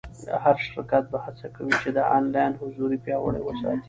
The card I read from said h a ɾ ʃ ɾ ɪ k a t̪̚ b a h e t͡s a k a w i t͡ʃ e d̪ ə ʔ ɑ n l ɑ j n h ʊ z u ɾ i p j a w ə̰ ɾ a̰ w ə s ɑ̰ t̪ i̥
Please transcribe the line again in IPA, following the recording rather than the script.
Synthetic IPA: h a ɾ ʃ ɾ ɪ k a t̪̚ b a h a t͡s a k a w i t͡ʃ e d̪ ə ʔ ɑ n l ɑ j n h ʊ z u ɾ i p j ɑ w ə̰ ɽ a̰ w ə s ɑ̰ t̪ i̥